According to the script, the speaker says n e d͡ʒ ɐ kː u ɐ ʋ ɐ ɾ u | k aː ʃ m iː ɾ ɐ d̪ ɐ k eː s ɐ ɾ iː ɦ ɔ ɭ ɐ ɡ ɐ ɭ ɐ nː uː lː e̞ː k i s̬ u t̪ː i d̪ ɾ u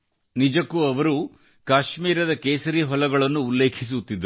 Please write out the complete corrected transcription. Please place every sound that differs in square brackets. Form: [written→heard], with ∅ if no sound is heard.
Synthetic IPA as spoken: n [e→i] d͡ʒ ɐ kː u ɐ ʋ ɐ ɾ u | k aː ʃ m iː ɾ ɐ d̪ ɐ k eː s ɐ ɾ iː ɦ ɔ [ɭ→l] ɐ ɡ ɐ ɭ ɐ nː uː lː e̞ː [k→kʰ] i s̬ u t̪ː i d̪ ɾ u

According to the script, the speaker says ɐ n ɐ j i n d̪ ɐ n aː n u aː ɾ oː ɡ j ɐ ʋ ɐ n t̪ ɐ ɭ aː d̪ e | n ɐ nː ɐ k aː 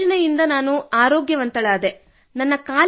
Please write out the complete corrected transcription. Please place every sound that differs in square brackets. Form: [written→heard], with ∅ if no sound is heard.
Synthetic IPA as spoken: ɐ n ɐ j i n d̪ ɐ n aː n u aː ɾ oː ɡ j ɐ ʋ ɐ n t̪ ɐ ɭ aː d̪ e | n ɐ nː ɐ k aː

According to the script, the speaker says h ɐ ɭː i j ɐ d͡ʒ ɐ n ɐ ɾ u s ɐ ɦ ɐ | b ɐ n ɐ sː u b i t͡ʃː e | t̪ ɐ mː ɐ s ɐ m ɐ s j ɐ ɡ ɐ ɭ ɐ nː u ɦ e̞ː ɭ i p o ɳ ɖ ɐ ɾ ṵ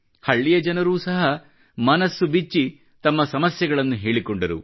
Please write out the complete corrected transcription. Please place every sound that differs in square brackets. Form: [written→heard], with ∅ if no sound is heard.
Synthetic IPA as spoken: h ɐ ɭː i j ɐ d͡ʒ ɐ n ɐ ɾ [u→uː] s ɐ ɦ ɐ | [b→m] ɐ n ɐ sː u b i t͡ʃː [e→i] | t̪ ɐ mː ɐ s ɐ m ɐ s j ɐ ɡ ɐ ɭ ɐ nː u ɦ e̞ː ɭ i [p→k] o ɳ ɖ ɐ ɾ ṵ

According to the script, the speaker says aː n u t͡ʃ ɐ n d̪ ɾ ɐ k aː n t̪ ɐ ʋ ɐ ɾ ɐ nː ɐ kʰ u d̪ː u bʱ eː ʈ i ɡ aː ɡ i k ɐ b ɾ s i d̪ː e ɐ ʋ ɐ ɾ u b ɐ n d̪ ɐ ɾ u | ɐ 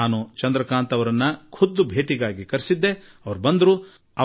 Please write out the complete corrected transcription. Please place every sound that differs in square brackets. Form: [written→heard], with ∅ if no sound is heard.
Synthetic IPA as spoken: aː n u t͡ʃ ɐ n d̪ ɾ ɐ k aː n t̪ ɐ ʋ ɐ ɾ ɐ nː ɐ kʰ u d̪ː u bʱ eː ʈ i ɡ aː ɡ i k ɐ [b→∅] ɾ s i d̪ː e ɐ ʋ ɐ ɾ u b ɐ n d̪ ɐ ɾ u | ɐ

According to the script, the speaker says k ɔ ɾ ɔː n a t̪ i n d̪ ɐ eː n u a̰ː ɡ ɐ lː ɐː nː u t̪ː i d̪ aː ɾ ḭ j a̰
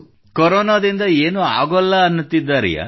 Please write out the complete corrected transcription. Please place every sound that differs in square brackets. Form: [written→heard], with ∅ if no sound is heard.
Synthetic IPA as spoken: k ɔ ɾ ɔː n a [t̪→d̪] i n d̪ ɐ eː n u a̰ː ɡ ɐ lː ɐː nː u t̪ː i [d̪→d̪ː] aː ɾ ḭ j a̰

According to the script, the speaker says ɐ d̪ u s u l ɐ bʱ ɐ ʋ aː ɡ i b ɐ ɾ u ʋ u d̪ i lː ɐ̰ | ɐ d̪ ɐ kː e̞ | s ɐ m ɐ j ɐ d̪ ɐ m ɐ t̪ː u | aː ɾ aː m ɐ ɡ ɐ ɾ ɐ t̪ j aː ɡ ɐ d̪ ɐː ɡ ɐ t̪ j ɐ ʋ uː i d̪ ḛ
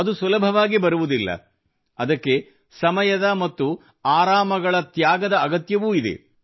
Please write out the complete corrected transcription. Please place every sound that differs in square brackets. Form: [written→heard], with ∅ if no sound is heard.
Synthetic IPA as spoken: ɐ d̪ u s u l ɐ bʱ ɐ ʋ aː ɡ i b ɐ ɾ u ʋ u d̪ i lː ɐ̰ | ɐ d̪ ɐ kː e̞ | s ɐ m ɐ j ɐ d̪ ɐ m ɐ t̪ː u | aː ɾ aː m ɐ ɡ ɐ [ɾ→ɭ] ɐ t̪ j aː ɡ ɐ d̪ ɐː ɡ ɐ t̪ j ɐ ʋ uː i d̪ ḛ

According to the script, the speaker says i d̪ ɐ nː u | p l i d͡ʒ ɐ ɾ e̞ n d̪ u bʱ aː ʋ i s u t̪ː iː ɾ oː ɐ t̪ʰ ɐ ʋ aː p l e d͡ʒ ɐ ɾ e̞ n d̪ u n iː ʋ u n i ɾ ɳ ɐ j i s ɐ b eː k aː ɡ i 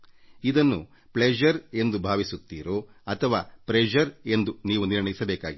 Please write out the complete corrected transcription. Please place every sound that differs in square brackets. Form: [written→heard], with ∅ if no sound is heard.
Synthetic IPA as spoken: i d̪ ɐ nː u | p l [i→e] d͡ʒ ɐ ɾ e̞ n d̪ u bʱ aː ʋ i s u t̪ː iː ɾ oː ɐ t̪ʰ ɐ ʋ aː p [l→ɾ] e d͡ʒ ɐ ɾ e̞ n d̪ u n iː ʋ u n i ɾ ɳ ɐ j i s ɐ b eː k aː ɡ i

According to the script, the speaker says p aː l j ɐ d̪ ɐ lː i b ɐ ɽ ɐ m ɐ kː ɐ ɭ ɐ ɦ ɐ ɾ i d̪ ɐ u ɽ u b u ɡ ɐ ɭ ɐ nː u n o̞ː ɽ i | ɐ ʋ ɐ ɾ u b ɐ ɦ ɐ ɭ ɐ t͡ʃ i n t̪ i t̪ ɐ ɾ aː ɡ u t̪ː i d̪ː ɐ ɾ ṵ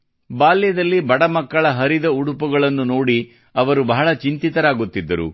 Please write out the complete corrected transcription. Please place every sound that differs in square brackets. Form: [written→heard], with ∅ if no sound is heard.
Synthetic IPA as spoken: [p→b] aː l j ɐ d̪ ɐ lː i b ɐ ɽ ɐ m ɐ kː ɐ ɭ ɐ ɦ ɐ ɾ i d̪ ɐ u ɽ u [b→p] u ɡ ɐ ɭ ɐ nː u n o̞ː ɽ i | ɐ ʋ ɐ ɾ u b ɐ ɦ ɐ ɭ ɐ t͡ʃ i n t̪ i t̪ ɐ ɾ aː ɡ u t̪ː i d̪ː ɐ ɾ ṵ

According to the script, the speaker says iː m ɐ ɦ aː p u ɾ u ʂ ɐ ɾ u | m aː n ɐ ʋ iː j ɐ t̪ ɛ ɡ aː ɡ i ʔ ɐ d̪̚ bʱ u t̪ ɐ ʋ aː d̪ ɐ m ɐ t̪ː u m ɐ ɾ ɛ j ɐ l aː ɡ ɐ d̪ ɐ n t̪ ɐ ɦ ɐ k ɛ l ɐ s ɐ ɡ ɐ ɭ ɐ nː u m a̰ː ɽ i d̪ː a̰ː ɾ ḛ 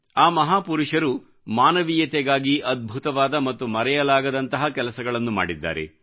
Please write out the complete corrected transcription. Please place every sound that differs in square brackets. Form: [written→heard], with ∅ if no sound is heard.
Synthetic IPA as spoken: [iː→aː] m ɐ ɦ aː p u ɾ u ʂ ɐ ɾ u | m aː n ɐ ʋ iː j ɐ t̪ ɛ ɡ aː ɡ i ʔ ɐ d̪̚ bʱ u t̪ ɐ ʋ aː d̪ ɐ m ɐ t̪ː u m ɐ ɾ ɛ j ɐ l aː ɡ ɐ d̪ ɐ n t̪ ɐ ɦ ɐ k ɛ l ɐ s ɐ ɡ ɐ ɭ ɐ nː u m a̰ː ɽ i d̪ː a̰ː ɾ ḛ

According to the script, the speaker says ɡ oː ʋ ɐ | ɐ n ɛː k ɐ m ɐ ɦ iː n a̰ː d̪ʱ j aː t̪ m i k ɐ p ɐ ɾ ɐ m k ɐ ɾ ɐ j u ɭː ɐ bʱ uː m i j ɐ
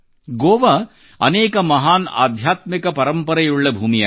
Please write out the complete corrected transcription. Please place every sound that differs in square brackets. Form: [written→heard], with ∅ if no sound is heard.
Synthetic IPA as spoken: ɡ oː ʋ ɐ | ɐ n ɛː k ɐ m ɐ ɦ [iː→aː] n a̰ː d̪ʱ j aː t̪ m i k ɐ p ɐ ɾ ɐ m [k→p] ɐ ɾ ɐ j u ɭː ɐ bʱ uː m i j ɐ

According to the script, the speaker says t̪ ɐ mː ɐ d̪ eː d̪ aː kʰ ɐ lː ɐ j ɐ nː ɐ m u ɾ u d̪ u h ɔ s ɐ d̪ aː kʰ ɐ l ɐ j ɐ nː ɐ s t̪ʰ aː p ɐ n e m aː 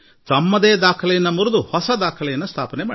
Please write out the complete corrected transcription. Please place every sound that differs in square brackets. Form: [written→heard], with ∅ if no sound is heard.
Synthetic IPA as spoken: t̪ ɐ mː ɐ d̪ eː d̪ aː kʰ ɐ [lː→l] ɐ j ɐ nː ɐ m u ɾ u d̪ u h ɔ s ɐ d̪ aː kʰ ɐ l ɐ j ɐ nː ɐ s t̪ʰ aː p ɐ n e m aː

